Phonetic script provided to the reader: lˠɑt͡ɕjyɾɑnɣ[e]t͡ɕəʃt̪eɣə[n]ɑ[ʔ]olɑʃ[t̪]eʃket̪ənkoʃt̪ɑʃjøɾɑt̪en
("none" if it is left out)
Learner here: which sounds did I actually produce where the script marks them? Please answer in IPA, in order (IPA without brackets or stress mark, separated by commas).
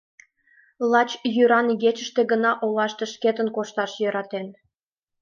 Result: e, n, ʔ, t̪